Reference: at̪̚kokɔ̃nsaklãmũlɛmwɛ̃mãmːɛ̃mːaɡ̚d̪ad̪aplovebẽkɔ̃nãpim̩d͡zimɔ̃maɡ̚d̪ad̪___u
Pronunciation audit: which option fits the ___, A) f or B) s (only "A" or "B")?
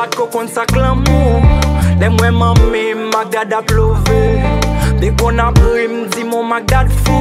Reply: A